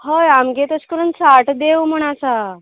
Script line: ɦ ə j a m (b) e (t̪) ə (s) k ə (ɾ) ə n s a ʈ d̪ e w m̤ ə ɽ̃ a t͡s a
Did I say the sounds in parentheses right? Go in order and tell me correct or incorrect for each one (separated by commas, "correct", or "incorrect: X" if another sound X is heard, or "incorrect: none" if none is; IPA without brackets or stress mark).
incorrect: ɡ, correct, correct, correct